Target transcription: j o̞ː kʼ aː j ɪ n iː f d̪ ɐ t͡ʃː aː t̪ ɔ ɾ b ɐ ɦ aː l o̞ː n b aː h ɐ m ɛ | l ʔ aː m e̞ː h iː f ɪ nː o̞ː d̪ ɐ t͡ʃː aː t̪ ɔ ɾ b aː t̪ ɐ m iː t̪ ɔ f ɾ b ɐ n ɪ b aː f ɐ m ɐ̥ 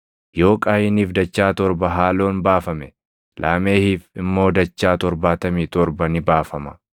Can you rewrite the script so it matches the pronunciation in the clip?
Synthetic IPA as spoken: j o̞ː kʼ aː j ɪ n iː f d̪ ɐ t͡ʃː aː t̪ ɔ ɾ b ɐ ɦ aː l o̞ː n b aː f ɐ m ɛ | l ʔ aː m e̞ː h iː f ɪ mː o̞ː d̪ ɐ t͡ʃː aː t̪ ɔ ɾ b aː t̪ ɐ m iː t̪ ɔ ɾ b ɐ n ɪ b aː f ɐ m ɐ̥